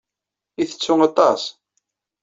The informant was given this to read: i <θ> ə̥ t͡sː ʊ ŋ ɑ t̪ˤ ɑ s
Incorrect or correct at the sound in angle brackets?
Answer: correct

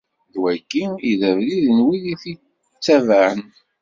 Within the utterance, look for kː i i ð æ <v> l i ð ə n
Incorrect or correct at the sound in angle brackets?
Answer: correct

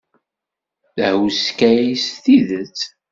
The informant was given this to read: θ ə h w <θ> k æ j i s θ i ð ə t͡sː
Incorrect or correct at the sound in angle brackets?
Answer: incorrect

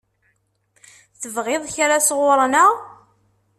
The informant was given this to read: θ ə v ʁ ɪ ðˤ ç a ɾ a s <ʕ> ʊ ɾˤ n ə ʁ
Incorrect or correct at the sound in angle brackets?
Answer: incorrect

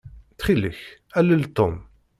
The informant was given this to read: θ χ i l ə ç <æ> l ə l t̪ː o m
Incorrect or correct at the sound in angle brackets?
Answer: correct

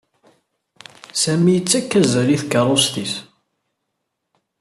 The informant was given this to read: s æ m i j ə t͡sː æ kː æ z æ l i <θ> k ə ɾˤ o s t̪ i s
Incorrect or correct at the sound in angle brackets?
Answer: correct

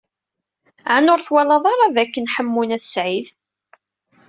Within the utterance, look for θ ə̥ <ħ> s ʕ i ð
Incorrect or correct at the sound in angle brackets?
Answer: incorrect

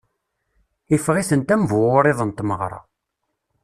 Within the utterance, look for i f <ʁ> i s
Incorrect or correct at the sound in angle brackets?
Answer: correct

